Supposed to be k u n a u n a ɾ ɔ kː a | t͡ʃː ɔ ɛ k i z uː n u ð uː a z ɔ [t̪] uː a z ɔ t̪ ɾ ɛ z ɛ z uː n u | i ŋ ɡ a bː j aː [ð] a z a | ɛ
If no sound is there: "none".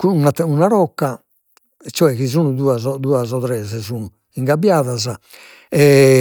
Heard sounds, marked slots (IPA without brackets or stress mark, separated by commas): d̪, ð